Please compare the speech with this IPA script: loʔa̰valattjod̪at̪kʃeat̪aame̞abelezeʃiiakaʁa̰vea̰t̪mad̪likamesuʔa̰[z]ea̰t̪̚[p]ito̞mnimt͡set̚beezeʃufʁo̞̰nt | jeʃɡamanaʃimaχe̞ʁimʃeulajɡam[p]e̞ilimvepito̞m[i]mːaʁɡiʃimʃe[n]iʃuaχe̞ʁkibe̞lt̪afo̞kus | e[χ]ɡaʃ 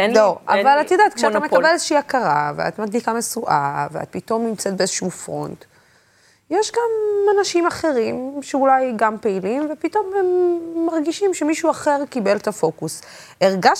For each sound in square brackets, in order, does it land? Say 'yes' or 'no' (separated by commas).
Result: no, yes, yes, no, no, no